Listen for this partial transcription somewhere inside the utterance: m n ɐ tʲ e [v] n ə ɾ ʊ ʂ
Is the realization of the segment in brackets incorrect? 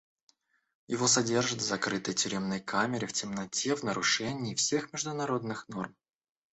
no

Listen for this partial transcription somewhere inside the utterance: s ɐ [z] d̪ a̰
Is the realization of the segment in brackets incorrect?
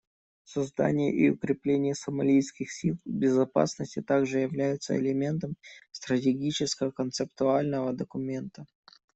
no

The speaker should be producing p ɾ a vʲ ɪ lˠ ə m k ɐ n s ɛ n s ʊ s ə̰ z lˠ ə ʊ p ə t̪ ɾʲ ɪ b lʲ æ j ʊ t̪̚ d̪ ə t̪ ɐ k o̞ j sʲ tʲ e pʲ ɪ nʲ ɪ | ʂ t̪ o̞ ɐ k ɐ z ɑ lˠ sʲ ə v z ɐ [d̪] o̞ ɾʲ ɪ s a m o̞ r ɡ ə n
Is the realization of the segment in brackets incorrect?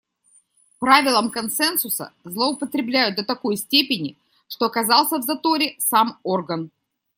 yes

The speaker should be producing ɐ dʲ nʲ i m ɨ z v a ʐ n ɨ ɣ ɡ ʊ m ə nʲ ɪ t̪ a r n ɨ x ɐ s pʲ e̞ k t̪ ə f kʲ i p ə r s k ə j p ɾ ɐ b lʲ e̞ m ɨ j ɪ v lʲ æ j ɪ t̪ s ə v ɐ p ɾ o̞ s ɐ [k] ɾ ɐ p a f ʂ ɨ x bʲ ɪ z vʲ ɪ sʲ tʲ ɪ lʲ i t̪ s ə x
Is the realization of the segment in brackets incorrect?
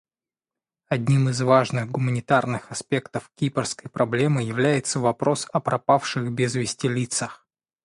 yes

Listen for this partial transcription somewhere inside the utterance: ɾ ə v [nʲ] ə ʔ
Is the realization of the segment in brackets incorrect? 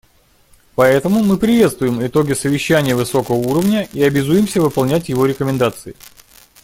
no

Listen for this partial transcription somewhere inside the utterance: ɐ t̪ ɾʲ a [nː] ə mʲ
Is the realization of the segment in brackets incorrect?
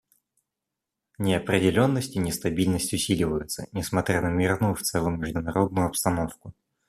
yes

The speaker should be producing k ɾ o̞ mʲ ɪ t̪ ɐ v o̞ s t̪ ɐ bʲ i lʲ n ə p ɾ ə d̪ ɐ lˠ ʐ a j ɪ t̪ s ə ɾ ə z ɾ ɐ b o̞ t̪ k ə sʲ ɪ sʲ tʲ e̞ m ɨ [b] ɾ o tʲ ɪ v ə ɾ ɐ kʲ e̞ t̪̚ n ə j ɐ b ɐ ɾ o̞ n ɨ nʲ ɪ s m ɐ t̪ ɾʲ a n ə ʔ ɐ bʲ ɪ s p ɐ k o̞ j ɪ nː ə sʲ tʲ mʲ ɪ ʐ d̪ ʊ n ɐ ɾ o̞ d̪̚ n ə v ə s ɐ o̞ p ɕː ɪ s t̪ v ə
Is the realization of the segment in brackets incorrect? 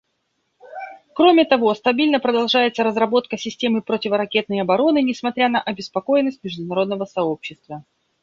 yes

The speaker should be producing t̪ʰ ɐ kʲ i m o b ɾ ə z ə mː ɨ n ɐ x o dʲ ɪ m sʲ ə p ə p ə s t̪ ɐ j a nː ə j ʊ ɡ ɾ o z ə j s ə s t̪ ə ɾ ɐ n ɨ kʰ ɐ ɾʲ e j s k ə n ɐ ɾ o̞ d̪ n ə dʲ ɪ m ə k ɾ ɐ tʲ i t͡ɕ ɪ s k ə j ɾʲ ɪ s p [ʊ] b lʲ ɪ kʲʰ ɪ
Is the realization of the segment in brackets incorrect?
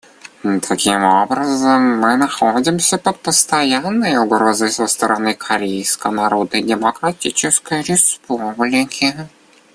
yes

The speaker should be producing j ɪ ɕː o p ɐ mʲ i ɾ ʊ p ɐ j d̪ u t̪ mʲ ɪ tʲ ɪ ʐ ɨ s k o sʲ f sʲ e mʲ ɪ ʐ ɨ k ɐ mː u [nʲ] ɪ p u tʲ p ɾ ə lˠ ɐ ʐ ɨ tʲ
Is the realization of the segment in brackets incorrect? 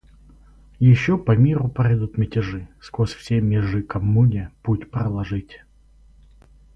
no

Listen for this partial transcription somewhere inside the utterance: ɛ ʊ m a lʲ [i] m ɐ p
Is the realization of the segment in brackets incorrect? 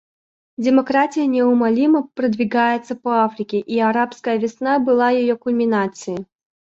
no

